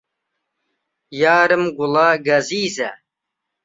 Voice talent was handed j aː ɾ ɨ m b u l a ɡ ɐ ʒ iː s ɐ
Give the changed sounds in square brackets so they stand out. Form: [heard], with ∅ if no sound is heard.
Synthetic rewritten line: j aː ɾ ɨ m [ɡ] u l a ɡ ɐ [z] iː [z] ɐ